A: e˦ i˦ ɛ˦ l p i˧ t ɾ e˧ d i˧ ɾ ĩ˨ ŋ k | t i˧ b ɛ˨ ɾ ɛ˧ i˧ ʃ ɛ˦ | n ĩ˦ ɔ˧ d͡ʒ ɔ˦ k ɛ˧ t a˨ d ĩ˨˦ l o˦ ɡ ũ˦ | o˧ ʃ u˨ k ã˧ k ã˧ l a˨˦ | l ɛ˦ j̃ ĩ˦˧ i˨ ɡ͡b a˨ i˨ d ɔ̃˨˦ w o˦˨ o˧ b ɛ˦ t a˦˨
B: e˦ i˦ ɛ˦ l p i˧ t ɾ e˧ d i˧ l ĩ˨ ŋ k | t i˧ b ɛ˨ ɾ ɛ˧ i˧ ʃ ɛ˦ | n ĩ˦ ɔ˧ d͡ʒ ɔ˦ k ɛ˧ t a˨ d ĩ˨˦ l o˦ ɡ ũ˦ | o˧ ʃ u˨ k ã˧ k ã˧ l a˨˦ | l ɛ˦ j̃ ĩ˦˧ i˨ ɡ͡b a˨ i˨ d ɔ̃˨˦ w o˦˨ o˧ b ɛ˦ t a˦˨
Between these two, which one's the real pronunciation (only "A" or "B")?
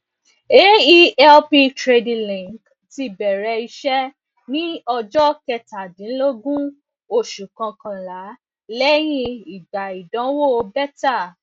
B